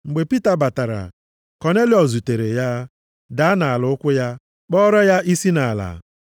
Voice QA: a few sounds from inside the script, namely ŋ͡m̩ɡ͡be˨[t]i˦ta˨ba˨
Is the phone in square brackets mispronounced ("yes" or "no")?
yes